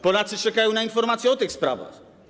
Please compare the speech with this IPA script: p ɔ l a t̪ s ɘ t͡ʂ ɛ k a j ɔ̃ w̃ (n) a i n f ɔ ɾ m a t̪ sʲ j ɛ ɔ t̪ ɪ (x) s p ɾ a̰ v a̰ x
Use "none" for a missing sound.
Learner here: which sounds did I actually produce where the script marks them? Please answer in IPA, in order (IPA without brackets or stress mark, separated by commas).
n, x